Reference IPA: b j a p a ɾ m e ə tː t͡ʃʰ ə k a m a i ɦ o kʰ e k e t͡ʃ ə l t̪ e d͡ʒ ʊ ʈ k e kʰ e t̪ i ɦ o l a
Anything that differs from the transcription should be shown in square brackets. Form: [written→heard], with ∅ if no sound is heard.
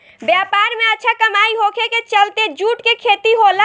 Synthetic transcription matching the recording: b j a p a ɾ m e ə tː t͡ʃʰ [ə→a] k [a→ə] m a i ɦ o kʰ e k e t͡ʃ ə l t̪ e d͡ʒ [ʊ→u] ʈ k e kʰ e t̪ i ɦ o l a

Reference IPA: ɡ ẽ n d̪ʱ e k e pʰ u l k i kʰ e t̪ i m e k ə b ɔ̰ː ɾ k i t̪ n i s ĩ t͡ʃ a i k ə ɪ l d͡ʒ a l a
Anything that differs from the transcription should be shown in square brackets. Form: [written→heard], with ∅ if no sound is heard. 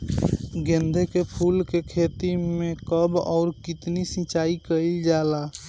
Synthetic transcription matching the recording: ɡ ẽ n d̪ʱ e k e pʰ u l k [i→e] kʰ e t̪ i m e k ə b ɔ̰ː ɾ k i t̪ n i s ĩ t͡ʃ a i k ə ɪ l d͡ʒ a l a

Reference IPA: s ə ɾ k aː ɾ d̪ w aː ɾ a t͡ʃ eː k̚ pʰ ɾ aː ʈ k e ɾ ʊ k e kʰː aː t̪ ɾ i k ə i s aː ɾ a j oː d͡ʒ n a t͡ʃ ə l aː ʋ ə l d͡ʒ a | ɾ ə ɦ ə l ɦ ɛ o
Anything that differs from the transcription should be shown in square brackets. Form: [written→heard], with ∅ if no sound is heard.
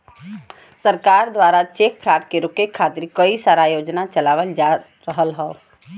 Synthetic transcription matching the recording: s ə ɾ k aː ɾ d̪ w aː ɾ a t͡ʃ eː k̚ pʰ ɾ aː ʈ k e ɾ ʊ k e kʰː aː t̪ ɾ i k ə i s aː ɾ a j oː d͡ʒ n a t͡ʃ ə l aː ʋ ə l d͡ʒ a | ɾ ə ɦ ə l ɦ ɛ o

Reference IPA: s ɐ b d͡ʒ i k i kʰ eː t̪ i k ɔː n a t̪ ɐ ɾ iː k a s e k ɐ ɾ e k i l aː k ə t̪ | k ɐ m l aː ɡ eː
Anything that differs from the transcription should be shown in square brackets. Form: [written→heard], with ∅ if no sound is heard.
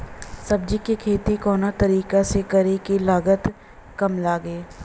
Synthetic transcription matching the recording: s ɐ b d͡ʒ i k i kʰ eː t̪ i k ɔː n a t̪ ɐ ɾ iː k a s e k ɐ ɾ e k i l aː [k→ɡ] ə t̪ | k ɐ m l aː ɡ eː

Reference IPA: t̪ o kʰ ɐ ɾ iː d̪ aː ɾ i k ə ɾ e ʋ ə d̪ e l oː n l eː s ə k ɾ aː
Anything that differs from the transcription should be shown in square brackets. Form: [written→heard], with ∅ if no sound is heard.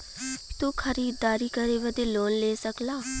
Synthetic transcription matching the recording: t̪ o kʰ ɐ ɾ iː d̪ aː ɾ i k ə ɾ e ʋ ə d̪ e l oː n l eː s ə k [ɾ→l] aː

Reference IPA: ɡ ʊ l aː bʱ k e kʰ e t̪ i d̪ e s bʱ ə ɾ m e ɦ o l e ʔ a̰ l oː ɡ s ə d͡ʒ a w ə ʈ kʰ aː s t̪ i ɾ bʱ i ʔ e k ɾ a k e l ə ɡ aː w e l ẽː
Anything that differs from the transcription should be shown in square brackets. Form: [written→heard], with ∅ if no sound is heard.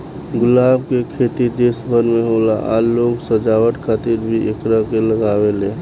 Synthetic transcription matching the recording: ɡ ʊ l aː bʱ k e kʰ e t̪ i d̪ e s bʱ ə ɾ m e ɦ o l [e→a] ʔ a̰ l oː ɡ s ə d͡ʒ a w ə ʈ kʰ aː [s→∅] t̪ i ɾ bʱ i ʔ e k ɾ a k e l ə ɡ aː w e l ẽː

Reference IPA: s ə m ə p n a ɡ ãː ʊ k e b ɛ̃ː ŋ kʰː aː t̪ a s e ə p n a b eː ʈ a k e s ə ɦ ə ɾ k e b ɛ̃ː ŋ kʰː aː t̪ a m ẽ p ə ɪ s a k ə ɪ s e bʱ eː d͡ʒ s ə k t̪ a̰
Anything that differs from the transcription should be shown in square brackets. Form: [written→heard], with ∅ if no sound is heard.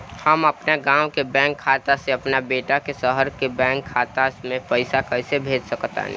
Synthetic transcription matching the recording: [s→h] ə m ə p n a ɡ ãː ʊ k e b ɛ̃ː ŋ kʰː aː t̪ a s e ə p n a b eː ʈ a k e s ə ɦ ə ɾ k e b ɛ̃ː ŋ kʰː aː t̪ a m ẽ p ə ɪ s a k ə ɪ s e bʱ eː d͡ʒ s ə k t̪ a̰

